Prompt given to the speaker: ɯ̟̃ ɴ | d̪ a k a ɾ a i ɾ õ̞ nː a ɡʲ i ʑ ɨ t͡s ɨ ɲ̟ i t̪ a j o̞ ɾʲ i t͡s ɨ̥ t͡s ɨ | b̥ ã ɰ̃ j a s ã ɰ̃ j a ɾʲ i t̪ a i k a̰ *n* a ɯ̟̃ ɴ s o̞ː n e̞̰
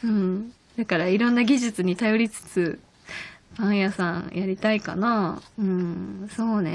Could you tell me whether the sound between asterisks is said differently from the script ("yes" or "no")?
no